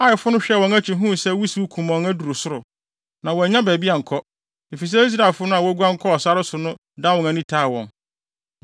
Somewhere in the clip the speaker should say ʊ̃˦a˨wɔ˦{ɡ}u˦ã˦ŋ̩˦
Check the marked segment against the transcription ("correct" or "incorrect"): correct